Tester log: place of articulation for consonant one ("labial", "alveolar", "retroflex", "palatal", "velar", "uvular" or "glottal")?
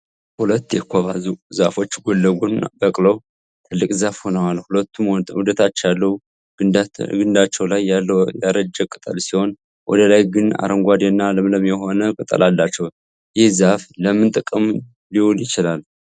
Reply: glottal